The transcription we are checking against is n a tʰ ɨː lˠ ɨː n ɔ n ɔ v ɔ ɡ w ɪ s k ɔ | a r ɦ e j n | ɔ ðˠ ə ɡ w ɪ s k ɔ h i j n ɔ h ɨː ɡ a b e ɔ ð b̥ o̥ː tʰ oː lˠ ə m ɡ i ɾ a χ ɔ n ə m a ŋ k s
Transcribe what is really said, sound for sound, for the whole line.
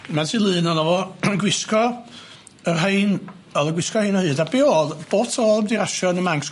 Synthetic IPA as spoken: m a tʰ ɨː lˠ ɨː n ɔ n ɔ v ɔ ɡ w ɪ s k ɔ | ə r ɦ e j n | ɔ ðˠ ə ɡ w ɪ s k ɔ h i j n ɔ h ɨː d a b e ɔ ð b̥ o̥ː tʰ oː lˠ ə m d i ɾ a ʃ ɔ n ə m a ŋ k s